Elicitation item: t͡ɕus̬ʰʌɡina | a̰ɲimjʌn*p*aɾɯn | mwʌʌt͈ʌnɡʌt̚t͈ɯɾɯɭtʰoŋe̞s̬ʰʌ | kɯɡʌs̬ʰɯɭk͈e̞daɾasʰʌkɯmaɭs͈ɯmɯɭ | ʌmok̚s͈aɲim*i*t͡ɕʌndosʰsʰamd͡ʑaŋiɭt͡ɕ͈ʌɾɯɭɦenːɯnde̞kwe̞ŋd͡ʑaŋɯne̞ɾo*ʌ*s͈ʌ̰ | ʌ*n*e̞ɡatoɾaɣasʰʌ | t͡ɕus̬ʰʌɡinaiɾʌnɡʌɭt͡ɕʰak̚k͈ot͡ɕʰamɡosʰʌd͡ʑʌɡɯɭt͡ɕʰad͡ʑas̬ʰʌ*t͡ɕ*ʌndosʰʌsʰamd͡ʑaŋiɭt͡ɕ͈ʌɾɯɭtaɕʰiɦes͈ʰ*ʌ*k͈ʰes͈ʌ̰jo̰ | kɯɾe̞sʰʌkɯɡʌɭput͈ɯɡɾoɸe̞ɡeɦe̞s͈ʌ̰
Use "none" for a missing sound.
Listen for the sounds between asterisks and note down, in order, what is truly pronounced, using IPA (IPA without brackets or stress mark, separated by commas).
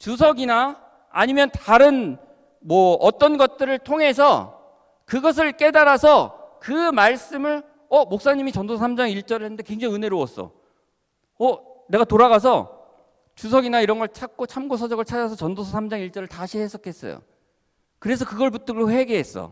t, i, ʌ, n, t͡ɕ, ʌ